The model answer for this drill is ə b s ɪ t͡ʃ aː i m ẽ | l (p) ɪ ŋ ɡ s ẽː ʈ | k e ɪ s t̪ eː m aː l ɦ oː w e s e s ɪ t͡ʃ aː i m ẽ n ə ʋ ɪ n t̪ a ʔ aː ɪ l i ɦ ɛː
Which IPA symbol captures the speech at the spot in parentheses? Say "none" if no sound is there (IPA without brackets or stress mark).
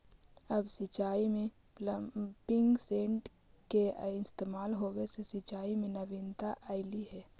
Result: p